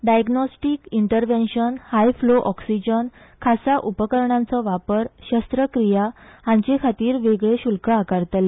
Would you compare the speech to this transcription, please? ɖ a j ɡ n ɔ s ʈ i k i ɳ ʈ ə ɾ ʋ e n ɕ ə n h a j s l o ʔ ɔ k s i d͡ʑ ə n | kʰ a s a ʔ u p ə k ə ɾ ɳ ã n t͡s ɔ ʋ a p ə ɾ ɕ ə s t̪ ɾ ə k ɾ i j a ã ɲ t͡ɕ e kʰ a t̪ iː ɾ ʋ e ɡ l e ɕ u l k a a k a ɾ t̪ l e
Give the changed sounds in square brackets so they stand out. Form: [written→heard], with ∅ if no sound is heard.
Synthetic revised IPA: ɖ a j ɡ n ɔ s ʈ i k i ɳ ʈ ə ɾ ʋ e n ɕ ə n h a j [s→f] l o ʔ ɔ k s i d͡ʑ ə n | kʰ a s a ʔ u p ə k ə ɾ ɳ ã n t͡s ɔ ʋ a p ə ɾ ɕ ə s t̪ ɾ ə k ɾ i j a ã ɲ t͡ɕ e kʰ a t̪ iː ɾ ʋ e ɡ [l→ɭ] e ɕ u l k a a k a ɾ t̪ l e